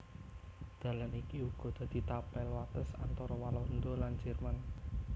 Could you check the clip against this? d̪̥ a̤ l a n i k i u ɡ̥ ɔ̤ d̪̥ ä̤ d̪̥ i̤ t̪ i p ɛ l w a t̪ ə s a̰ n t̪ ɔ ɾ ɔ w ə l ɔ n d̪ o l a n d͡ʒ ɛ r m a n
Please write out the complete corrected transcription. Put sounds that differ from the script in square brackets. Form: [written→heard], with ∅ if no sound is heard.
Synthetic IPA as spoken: d̪̥ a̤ l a n i k i u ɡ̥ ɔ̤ d̪̥ ä̤ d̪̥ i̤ t̪ [i→a] p ɛ l w a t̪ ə s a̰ n t̪ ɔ ɾ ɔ w [ə→a] l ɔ n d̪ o l a n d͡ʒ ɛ r m a n

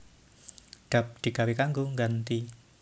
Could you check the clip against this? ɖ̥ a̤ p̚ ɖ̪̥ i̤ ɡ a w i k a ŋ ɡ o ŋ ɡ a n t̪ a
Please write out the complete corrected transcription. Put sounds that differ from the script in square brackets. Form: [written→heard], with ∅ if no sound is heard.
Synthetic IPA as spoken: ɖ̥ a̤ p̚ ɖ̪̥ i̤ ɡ a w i k a ŋ ɡ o ŋ ɡ a n t̪ [a→i]

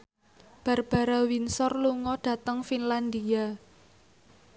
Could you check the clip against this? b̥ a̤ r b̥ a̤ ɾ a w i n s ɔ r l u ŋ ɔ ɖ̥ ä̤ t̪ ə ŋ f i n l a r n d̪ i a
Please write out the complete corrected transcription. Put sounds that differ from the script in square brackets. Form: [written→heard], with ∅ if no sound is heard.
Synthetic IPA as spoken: b̥ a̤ r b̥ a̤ ɾ a w i n s ɔ r l u ŋ ɔ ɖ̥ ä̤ t̪ ə ŋ f i n l a [r→∅] n d̪ i a

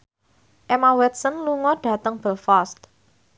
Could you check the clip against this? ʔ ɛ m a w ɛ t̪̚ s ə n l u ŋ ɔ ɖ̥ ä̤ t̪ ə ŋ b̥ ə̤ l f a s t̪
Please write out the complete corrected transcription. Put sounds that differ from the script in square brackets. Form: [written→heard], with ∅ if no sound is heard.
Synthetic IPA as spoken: ʔ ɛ m a w ɛ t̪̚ s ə n l u ŋ ɔ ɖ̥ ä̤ t̪ ə ŋ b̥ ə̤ l f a s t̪

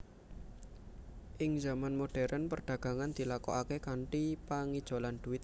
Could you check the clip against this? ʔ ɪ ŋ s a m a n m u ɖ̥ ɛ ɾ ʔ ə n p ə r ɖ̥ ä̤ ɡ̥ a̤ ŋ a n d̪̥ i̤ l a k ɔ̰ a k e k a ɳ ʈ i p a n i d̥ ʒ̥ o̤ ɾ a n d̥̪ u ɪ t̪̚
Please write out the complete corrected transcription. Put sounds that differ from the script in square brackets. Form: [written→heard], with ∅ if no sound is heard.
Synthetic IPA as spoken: ʔ ɪ ŋ [s→z] a m a n m [u→o] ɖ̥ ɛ ɾ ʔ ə n p ə r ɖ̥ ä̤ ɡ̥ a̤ ŋ a n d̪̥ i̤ l a k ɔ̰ a k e k a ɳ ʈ i p a [n→ŋ] i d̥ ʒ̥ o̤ [ɾ→l] a n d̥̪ u ɪ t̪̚

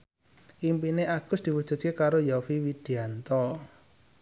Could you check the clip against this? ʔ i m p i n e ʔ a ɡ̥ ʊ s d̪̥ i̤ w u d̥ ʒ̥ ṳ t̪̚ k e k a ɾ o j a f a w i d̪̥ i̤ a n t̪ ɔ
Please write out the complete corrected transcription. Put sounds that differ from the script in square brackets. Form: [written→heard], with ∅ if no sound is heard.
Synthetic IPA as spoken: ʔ i m p i n e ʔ a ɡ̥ ʊ s d̪̥ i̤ w u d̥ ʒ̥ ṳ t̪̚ k e k a ɾ o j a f [a→i] w i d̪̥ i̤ a n t̪ ɔ

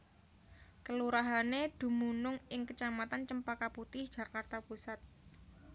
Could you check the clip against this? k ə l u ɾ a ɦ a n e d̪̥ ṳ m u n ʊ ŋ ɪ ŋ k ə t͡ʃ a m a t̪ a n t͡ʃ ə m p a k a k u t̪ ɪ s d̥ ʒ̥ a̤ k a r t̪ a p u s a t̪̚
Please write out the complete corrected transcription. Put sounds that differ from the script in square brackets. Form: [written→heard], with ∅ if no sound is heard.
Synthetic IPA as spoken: k ə l u ɾ a ɦ a n e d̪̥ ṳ m u n ʊ ŋ ɪ ŋ k ə t͡ʃ a m a t̪ a n t͡ʃ ə m p a k a [k→p] u t̪ ɪ [s→h] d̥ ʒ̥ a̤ k a r t̪ a p u s a t̪̚

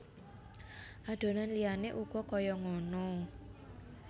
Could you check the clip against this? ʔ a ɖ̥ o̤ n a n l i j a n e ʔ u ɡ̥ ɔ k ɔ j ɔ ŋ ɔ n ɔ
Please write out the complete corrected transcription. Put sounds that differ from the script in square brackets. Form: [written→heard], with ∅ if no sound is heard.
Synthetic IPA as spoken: ʔ a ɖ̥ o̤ n a n l i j a n e ʔ u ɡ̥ ɔ k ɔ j ɔ ŋ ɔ n ɔ

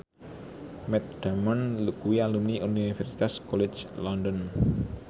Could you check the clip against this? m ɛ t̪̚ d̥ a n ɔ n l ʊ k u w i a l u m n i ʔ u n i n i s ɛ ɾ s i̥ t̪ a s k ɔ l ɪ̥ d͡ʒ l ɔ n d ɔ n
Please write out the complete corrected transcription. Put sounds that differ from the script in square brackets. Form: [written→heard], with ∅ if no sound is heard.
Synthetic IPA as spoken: m ɛ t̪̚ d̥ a [n→m] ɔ n l [ʊ→u] k u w i a l u m n i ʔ u n i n i [s→f] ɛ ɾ s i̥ t̪ a s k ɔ l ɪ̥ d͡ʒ l ɔ n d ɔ n

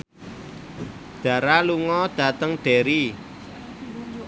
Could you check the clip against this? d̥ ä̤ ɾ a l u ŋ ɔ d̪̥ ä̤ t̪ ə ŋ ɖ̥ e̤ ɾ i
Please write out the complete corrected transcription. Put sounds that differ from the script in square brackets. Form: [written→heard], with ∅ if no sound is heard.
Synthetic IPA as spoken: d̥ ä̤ ɾ a l u ŋ ɔ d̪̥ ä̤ t̪ ə ŋ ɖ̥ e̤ ɾ i

